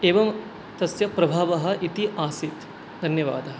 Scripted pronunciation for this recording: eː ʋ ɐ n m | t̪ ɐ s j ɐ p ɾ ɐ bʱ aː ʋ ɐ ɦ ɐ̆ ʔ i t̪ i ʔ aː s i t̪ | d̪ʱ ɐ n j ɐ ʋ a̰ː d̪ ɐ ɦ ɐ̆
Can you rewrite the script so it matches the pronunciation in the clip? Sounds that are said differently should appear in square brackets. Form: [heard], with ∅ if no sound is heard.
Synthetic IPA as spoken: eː ʋ ɐ [∅] m | t̪ ɐ s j ɐ p ɾ ɐ bʱ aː ʋ ɐ ɦ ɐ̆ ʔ i t̪ i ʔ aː s i t̪ | d̪ʱ ɐ n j ɐ ʋ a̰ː d̪ ɐ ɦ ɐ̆